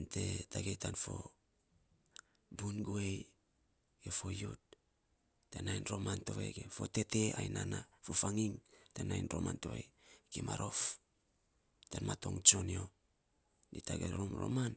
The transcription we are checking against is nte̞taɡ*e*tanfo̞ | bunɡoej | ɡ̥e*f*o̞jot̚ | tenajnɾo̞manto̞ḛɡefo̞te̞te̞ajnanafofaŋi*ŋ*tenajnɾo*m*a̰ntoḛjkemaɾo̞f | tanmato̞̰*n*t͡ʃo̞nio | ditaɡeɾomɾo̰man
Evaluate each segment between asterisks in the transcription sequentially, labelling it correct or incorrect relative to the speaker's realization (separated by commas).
correct, correct, correct, correct, incorrect